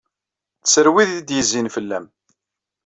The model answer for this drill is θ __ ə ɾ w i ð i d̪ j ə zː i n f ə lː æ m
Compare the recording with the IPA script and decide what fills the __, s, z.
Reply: s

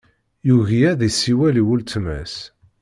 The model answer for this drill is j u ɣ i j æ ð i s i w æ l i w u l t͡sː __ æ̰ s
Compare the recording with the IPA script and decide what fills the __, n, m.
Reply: m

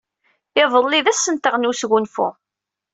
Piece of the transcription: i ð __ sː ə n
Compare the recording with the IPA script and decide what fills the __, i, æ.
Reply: æ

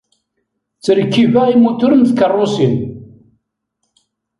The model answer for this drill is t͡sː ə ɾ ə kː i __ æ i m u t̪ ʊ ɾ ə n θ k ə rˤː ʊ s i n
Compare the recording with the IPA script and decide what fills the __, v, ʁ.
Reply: v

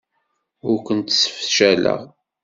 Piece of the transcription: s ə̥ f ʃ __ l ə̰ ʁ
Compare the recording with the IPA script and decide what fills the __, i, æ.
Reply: æ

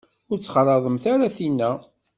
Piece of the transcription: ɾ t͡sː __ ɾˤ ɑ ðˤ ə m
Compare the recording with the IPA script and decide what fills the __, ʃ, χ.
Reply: χ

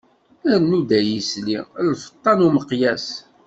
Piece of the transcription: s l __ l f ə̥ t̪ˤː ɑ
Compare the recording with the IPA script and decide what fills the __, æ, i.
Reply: i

